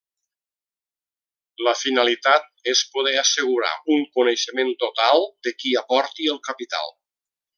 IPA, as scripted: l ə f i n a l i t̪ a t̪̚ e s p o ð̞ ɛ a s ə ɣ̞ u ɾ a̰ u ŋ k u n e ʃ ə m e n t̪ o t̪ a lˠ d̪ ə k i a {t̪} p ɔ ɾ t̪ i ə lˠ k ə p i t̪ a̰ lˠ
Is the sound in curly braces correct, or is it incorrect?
incorrect: none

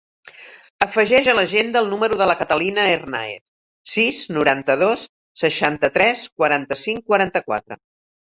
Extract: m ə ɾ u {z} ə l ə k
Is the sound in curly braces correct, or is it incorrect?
incorrect: ð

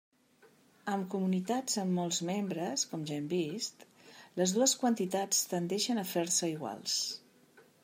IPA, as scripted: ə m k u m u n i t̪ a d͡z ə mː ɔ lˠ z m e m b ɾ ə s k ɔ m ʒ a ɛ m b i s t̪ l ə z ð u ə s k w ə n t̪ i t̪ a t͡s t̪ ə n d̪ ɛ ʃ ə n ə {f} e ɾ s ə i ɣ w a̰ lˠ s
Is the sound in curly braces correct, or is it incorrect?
correct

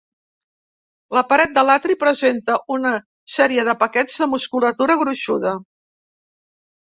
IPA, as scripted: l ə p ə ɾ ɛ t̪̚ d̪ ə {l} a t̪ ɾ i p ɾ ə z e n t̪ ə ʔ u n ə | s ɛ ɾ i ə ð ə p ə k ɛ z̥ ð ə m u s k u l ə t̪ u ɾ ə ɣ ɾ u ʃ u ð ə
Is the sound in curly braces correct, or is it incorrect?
correct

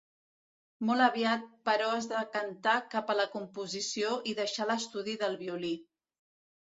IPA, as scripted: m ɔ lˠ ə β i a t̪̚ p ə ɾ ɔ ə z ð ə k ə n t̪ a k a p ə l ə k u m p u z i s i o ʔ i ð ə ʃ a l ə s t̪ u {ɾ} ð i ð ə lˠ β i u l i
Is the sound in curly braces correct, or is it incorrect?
incorrect: none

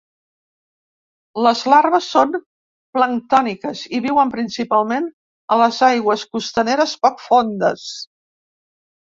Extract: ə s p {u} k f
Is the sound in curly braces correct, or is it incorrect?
incorrect: ɔ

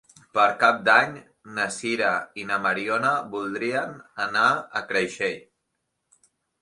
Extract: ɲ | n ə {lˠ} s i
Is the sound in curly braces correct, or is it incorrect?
incorrect: none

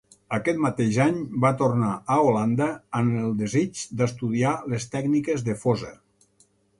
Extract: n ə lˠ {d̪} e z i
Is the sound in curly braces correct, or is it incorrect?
correct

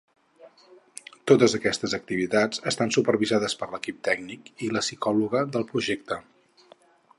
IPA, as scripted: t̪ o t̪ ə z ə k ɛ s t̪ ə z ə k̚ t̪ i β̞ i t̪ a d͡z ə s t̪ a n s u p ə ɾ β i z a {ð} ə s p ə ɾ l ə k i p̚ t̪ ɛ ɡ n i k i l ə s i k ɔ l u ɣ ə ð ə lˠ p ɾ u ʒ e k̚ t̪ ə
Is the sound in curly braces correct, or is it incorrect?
correct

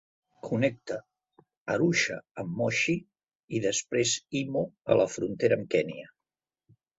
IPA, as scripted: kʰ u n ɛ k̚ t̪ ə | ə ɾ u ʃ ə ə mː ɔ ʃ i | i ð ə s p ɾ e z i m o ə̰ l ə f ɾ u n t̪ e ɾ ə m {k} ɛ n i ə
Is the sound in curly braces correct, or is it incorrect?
correct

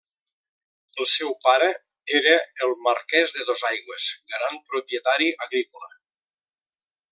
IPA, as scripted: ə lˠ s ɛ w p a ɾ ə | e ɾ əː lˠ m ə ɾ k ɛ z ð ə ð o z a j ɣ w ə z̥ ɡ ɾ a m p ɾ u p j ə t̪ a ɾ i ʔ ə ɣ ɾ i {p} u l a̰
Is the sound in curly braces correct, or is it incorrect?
incorrect: k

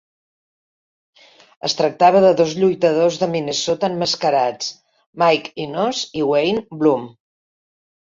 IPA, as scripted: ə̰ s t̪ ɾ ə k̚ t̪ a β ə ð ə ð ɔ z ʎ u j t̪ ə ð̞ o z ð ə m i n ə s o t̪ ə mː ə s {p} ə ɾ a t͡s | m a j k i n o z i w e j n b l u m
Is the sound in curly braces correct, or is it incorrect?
incorrect: k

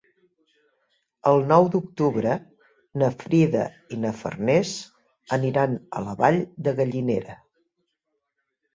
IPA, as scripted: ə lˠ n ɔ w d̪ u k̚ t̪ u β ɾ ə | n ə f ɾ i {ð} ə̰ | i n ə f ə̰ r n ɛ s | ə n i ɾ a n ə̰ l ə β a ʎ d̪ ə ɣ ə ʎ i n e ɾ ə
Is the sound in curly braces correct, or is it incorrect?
correct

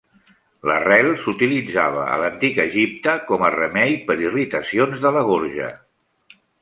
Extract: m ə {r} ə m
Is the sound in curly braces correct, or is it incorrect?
correct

